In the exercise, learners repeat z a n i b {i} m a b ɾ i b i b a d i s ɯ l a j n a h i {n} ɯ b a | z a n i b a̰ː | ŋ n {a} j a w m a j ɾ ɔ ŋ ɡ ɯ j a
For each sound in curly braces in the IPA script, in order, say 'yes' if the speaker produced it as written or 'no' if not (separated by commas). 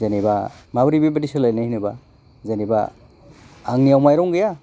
no, yes, no